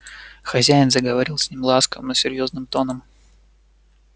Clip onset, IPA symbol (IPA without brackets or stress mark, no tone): x